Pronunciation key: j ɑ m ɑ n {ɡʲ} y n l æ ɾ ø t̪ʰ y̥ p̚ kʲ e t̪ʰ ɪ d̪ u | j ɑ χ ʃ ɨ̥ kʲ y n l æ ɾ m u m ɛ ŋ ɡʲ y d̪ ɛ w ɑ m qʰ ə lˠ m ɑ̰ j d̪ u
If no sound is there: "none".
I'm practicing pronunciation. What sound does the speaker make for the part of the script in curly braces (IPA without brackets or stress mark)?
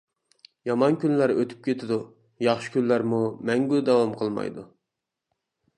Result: kʲ